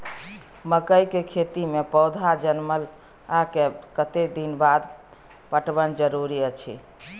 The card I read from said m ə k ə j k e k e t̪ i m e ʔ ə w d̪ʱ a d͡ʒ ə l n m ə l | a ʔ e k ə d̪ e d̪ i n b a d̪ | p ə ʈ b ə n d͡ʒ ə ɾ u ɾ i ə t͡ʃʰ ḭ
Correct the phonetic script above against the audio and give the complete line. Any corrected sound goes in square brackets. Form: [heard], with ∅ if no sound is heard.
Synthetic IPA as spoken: m ə k ə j k e [kʰ] e t̪ i m e [p] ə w d̪ʱ a d͡ʒ ə [∅] n m ə l | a [k] e k ə [t̪] e d̪ i n b a d̪ | p ə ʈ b ə n d͡ʒ ə ɾ u ɾ i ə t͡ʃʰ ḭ